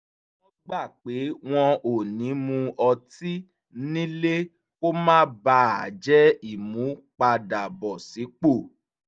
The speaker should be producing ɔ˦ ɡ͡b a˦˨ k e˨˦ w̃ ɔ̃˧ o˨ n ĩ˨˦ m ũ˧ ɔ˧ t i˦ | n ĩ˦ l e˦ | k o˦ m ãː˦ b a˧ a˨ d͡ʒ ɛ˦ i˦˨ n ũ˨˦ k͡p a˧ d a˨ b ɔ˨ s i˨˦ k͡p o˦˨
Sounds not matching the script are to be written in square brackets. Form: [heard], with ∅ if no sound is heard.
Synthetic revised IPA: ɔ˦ ɡ͡b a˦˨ [k͡p] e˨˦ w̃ ɔ̃˧ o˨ n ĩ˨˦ m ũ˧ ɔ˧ t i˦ | n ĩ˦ l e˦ | k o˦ m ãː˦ b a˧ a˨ d͡ʒ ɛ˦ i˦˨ [m] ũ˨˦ k͡p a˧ d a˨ b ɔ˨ s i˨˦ k͡p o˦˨

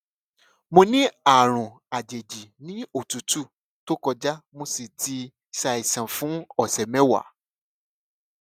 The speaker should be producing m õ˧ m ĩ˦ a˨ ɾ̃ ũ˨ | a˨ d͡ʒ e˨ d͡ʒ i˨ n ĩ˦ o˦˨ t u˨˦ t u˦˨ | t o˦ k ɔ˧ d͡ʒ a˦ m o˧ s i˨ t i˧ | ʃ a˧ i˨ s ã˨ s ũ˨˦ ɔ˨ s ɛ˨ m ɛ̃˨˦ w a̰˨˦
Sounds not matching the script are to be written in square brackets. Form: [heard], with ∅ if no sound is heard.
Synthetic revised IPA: m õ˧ [n] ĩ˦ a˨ ɾ̃ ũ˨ | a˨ d͡ʒ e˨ d͡ʒ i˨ n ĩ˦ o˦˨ t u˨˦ t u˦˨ | t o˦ k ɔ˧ d͡ʒ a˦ m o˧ s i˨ t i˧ | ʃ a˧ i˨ s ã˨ [f] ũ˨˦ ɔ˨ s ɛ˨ m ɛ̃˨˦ w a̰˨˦

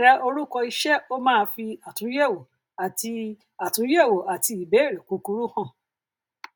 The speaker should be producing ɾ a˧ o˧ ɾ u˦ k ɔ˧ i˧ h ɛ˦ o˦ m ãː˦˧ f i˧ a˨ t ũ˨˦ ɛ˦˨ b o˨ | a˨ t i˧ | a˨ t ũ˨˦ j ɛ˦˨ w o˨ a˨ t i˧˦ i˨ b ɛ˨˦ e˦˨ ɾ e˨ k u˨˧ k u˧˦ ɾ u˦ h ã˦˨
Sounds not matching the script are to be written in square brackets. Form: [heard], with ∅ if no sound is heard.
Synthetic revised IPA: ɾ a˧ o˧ ɾ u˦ k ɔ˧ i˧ [ʃ] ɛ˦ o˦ m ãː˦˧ f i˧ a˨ t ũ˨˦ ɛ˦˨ [w] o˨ | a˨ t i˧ | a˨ t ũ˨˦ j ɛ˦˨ w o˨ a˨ t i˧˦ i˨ b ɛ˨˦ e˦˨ ɾ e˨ k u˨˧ k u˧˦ ɾ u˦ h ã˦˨

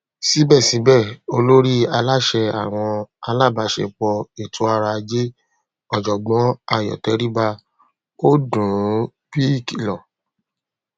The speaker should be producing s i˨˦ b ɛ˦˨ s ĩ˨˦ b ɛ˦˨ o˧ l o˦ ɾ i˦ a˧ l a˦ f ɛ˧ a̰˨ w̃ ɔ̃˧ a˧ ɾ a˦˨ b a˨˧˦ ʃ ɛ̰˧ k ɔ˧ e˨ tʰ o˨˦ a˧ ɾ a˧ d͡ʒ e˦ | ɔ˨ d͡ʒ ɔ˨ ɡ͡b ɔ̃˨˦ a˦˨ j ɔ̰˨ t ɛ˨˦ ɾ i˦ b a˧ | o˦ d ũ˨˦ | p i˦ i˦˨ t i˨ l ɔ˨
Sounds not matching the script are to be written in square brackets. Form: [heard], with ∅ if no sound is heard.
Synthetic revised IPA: s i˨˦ b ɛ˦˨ s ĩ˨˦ b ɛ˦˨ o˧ l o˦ ɾ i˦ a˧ l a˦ [ʃ] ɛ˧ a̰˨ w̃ ɔ̃˧ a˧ [l] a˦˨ b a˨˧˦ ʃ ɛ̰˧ [k͡p] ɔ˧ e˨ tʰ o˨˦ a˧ ɾ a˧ d͡ʒ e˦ | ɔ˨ d͡ʒ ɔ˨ ɡ͡b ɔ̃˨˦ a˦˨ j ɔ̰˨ t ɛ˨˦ ɾ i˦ b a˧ | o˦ d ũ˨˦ | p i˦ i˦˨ [k] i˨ l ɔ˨

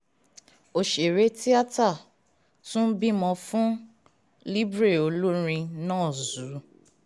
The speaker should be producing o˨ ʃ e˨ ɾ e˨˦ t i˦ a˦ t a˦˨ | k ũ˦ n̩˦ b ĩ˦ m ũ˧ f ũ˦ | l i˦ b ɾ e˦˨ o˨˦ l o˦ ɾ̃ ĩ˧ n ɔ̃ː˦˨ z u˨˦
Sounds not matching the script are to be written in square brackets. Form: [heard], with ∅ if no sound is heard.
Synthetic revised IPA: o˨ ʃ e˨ ɾ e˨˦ t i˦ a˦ t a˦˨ | [t] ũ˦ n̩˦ b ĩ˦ m [ɔ̃˧] f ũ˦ | l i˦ b ɾ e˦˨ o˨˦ l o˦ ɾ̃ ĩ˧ n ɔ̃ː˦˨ z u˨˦

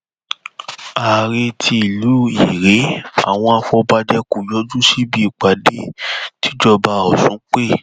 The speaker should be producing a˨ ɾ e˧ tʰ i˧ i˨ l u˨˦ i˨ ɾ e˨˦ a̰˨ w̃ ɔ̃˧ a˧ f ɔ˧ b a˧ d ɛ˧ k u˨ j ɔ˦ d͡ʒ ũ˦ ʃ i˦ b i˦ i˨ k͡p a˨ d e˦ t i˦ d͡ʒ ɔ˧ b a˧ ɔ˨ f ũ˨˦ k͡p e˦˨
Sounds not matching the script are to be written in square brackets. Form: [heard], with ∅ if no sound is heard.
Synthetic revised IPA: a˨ ɾ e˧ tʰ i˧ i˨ l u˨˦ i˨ ɾ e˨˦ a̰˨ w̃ ɔ̃˧ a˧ f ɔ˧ b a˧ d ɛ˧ k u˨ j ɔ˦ d͡ʒ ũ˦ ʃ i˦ b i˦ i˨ k͡p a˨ d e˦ t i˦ d͡ʒ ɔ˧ b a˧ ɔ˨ [s] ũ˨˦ k͡p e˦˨

